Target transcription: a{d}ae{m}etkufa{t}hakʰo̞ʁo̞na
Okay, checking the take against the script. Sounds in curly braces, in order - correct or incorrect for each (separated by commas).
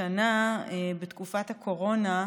incorrect, incorrect, correct